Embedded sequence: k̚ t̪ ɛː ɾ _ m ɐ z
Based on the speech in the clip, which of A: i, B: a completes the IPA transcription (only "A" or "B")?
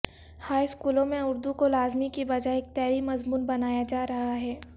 A